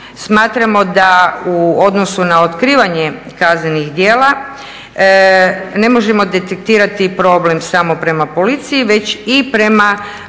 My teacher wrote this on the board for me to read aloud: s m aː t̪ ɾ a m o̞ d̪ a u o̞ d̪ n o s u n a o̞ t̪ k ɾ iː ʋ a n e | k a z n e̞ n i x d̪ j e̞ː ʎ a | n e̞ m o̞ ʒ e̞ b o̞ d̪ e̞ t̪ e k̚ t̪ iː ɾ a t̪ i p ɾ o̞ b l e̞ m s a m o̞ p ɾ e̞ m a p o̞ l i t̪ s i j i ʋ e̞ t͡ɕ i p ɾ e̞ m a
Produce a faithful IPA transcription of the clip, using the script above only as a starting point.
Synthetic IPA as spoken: s m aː t̪ ɾ a m o̞ d̪ a u o̞ d̪ n o s u n a o̞ t̪ k ɾ iː ʋ a ɲ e | k a z n e̞ n i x d̪ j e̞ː l a | n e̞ m o̞ ʒ e̞ m o̞ d̪ e̞ t̪ e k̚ t̪ iː ɾ a t̪ i p ɾ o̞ b l e̞ m s a m o̞ p ɾ e̞ m a p o̞ l i t̪ s i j i ʋ e̞ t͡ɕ i p ɾ e̞ m a